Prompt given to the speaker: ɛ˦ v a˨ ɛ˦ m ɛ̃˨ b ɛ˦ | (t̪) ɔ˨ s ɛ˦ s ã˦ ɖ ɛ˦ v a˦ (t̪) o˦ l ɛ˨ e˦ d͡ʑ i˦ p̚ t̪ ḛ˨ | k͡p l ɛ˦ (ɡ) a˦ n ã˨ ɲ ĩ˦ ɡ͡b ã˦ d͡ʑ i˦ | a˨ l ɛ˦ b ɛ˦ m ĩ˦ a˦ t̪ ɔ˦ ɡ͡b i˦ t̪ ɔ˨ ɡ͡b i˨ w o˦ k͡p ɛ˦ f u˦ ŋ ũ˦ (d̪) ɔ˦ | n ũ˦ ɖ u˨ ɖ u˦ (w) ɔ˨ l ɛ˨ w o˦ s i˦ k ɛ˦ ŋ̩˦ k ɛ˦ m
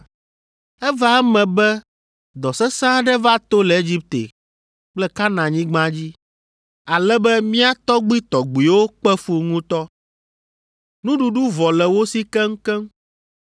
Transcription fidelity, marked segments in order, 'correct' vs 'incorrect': incorrect: d̪, correct, incorrect: k, incorrect: t̪, incorrect: v

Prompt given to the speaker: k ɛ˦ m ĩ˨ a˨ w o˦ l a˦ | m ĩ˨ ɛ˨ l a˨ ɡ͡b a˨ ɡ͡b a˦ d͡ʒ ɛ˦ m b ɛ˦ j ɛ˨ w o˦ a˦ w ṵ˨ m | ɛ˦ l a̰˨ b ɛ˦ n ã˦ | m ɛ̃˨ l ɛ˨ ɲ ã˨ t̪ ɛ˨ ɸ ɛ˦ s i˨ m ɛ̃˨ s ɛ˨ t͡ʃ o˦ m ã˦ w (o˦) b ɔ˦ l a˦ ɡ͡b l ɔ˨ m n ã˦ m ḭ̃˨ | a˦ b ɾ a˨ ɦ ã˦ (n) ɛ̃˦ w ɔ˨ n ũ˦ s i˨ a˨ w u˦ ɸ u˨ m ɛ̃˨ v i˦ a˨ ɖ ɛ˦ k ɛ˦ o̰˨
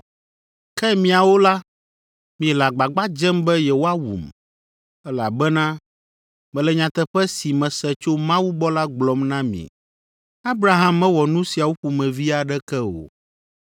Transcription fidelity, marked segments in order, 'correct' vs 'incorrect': incorrect: u˦, incorrect: m

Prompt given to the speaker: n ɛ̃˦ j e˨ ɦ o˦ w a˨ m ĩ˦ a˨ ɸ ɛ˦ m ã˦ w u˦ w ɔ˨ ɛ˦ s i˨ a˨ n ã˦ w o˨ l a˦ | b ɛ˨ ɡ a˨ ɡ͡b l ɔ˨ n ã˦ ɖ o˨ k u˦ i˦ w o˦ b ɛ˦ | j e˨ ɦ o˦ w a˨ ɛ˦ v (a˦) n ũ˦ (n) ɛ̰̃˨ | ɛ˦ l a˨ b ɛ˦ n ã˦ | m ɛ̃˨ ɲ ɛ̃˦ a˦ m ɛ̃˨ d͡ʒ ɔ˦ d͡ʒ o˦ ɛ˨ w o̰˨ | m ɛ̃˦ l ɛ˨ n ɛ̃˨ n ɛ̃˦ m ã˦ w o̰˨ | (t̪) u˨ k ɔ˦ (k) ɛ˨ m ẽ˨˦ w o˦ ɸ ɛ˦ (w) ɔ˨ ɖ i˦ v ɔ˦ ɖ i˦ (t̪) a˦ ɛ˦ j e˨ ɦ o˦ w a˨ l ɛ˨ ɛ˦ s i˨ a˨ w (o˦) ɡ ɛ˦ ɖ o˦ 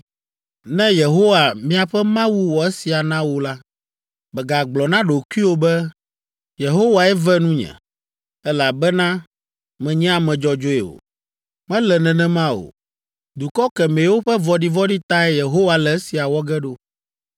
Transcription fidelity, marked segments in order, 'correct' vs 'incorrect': incorrect: ɛ˦, incorrect: ɲ, incorrect: d̪, correct, incorrect: v, correct, incorrect: ɔ˦

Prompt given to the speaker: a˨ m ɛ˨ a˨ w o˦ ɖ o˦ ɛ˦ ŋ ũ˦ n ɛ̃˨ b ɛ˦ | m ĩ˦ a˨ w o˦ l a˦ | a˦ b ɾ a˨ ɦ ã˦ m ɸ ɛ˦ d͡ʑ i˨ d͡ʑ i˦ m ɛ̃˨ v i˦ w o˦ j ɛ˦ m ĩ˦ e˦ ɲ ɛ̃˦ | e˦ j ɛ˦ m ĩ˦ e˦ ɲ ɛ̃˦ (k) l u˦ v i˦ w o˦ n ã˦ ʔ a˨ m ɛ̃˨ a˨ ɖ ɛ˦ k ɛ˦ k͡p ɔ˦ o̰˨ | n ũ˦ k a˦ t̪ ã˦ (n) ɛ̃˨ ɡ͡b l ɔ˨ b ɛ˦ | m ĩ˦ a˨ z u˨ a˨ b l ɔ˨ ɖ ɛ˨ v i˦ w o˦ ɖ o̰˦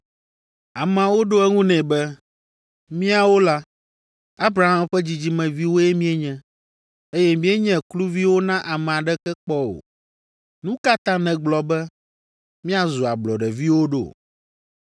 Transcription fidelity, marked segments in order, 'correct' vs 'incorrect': correct, correct

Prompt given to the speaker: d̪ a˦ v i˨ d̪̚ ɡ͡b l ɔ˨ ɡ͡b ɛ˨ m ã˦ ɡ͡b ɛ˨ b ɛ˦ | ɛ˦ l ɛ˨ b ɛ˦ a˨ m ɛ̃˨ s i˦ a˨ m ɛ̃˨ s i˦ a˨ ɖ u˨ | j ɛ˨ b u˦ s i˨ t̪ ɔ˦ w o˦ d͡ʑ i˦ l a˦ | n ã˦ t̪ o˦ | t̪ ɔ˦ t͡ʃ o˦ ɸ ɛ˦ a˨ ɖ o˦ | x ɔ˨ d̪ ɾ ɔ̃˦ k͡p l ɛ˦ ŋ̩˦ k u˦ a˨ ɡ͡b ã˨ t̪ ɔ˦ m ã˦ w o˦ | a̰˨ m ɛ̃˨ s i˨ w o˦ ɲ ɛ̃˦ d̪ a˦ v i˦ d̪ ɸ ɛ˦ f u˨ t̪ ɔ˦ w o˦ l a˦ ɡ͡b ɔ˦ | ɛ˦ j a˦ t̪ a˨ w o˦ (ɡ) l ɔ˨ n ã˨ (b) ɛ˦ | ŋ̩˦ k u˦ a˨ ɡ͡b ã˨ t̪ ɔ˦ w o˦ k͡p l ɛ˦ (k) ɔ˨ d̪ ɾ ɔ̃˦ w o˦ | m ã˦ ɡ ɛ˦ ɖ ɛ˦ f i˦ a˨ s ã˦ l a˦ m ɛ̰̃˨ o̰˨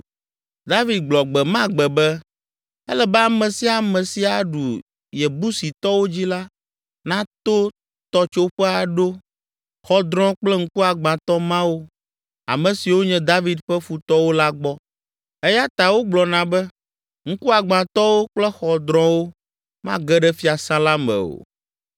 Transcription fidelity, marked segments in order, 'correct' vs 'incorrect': incorrect: ɡ͡b, correct, incorrect: x

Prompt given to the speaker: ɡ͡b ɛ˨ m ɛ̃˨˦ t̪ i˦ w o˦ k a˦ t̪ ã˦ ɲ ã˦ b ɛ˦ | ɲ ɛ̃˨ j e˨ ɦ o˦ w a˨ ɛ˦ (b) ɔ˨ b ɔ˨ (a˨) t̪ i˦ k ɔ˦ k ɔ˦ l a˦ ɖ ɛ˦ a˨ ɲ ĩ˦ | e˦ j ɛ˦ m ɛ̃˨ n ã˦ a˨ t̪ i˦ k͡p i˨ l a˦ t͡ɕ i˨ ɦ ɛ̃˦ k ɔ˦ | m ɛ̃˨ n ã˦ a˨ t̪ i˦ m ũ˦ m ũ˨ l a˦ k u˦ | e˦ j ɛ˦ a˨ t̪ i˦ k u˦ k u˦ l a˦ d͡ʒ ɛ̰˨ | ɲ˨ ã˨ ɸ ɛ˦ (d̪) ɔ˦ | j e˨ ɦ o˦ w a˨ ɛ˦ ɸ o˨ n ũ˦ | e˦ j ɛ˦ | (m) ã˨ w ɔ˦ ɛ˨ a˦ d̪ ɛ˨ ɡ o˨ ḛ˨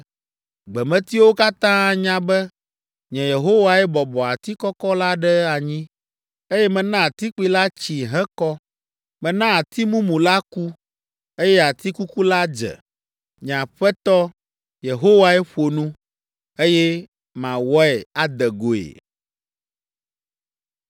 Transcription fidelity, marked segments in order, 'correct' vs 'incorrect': correct, correct, incorrect: t̪, correct

